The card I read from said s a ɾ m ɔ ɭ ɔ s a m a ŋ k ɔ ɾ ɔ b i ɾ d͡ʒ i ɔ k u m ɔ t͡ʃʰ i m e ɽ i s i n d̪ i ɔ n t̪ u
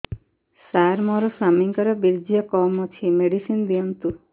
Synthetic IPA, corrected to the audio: s a ɾ m ɔ ɾ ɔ s a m i ŋ k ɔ ɾ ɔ b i ɾ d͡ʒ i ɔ k ɔ m ɔ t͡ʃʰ i m e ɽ i s i n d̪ i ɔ n t̪ u